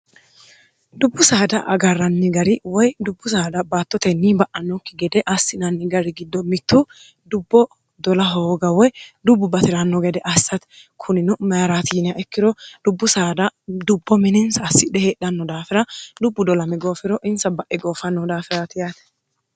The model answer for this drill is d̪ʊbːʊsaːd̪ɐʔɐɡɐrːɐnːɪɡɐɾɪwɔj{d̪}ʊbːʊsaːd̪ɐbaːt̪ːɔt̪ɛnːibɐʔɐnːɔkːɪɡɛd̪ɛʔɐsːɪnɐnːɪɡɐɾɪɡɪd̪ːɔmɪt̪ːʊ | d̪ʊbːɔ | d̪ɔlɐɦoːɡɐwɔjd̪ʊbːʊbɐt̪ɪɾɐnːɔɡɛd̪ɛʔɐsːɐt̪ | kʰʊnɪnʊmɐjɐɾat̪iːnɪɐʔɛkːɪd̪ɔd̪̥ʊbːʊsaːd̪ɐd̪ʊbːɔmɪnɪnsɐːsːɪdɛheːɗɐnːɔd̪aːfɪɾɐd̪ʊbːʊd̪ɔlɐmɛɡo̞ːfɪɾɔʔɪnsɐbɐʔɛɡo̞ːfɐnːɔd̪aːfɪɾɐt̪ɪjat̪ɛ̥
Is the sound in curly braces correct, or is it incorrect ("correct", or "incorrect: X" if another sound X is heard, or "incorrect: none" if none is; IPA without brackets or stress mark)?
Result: correct